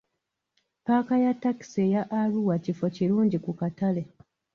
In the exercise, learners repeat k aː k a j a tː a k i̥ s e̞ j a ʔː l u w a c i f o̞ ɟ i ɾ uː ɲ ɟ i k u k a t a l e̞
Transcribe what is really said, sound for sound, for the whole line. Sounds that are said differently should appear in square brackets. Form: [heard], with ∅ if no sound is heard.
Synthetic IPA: [p] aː k a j a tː a k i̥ s e̞ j a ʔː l u w a c i f o̞ [c] i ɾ uː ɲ ɟ i k u k a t a l e̞